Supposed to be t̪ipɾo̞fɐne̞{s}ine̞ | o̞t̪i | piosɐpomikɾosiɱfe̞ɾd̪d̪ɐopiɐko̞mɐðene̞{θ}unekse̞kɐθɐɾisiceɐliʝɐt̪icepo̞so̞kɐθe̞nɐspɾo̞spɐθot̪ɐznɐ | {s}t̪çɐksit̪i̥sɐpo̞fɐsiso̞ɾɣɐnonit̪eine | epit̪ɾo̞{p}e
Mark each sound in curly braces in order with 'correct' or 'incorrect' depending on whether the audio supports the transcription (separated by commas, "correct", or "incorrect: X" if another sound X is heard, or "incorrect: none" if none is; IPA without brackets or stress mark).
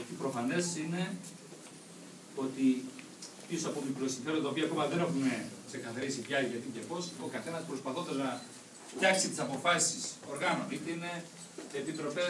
correct, incorrect: x, incorrect: f, correct